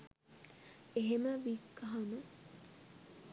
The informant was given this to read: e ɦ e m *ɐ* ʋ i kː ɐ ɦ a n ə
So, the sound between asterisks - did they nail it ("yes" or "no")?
no